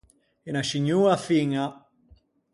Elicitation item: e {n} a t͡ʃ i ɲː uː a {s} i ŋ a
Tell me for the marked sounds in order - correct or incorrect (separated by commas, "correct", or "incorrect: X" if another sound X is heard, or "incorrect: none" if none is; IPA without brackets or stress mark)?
correct, incorrect: f